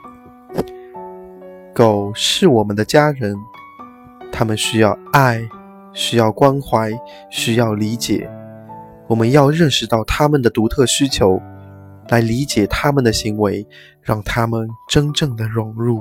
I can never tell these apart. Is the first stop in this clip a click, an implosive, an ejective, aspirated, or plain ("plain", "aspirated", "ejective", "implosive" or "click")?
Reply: plain